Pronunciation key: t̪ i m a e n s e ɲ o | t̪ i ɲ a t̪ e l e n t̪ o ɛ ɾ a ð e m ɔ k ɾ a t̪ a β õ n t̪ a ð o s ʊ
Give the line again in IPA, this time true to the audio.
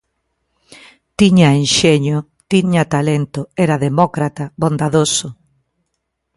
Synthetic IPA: t̪ i ɲ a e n ʃ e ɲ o | t̪ i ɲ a t̪ a l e n t̪ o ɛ ɾ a ð e m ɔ k ɾ a t̪ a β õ n d̪ a ð o s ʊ